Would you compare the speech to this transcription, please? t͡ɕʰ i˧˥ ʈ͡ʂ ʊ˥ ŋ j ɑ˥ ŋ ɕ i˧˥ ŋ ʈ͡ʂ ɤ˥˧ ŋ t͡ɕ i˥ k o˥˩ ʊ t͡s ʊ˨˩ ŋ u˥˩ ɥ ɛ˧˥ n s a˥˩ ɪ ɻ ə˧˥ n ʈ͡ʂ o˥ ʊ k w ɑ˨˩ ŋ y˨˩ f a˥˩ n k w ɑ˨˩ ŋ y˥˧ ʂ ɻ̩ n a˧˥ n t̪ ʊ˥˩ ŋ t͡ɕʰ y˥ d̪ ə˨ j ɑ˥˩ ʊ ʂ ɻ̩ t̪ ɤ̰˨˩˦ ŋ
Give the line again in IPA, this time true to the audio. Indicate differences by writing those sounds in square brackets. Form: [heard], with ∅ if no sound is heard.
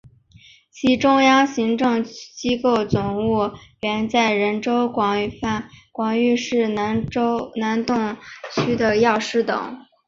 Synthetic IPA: t͡ɕʰ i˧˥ ʈ͡ʂ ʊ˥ ŋ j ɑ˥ ŋ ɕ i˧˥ ŋ ʈ͡ʂ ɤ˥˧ ŋ t͡ɕ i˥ k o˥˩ ʊ t͡s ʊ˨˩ ŋ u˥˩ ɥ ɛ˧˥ n [t͡s] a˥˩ ɪ ɻ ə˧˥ n ʈ͡ʂ o˥ ʊ k w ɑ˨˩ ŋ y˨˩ f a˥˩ n k w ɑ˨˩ ŋ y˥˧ ʂ ɻ̩ n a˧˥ n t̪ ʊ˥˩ ŋ t͡ɕʰ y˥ d̪ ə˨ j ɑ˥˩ ʊ ʂ ɻ̩ t̪ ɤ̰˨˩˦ ŋ